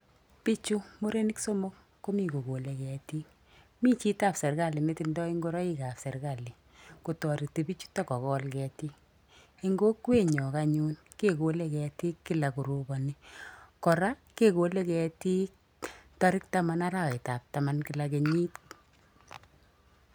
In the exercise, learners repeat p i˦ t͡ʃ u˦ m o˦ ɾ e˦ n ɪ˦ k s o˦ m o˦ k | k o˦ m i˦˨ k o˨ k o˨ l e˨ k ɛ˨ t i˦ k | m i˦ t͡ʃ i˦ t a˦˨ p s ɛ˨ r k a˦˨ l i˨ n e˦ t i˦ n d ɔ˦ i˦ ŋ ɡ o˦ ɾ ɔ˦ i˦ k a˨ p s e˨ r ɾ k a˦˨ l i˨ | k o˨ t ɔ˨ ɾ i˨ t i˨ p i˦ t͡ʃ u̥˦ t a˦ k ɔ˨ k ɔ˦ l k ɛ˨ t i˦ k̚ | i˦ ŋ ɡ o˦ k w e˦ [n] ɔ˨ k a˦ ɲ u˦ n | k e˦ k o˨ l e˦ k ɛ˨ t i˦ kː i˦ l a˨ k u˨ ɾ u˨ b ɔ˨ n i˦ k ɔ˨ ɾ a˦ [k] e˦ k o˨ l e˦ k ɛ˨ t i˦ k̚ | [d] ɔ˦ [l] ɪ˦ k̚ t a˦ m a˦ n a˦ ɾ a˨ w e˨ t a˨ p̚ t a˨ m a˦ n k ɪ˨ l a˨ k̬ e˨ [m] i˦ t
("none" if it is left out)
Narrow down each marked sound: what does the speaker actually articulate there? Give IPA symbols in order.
ɲ, k, t, ɾ, ɲ

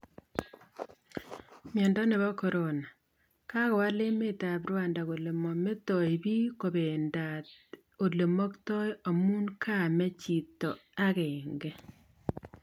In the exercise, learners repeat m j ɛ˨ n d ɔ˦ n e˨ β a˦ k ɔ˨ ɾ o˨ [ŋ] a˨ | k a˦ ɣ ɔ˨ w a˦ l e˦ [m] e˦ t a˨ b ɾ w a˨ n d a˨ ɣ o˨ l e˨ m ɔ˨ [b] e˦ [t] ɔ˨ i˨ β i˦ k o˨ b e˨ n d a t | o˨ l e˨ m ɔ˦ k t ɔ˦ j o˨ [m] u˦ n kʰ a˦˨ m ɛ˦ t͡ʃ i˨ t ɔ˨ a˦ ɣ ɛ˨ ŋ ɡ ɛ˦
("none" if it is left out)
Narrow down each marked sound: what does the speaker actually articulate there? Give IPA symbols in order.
n, m, m, t, m

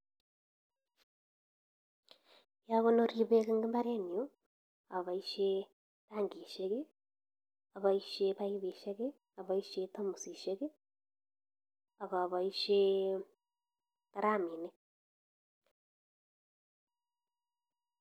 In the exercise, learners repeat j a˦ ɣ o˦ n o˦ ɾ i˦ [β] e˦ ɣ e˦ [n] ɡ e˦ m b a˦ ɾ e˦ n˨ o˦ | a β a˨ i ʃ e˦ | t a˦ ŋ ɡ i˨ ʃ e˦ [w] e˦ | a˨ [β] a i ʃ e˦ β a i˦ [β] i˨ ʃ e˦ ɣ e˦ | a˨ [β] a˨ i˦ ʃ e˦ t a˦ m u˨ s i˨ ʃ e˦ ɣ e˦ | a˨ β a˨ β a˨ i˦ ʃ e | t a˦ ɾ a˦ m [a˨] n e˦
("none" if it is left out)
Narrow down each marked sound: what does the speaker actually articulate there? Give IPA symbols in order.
β, ŋ, ɣ, β, β, β, i˨

